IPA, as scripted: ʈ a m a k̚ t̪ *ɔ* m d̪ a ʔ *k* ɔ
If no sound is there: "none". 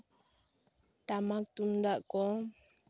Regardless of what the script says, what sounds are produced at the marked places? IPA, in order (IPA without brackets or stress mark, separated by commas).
u, k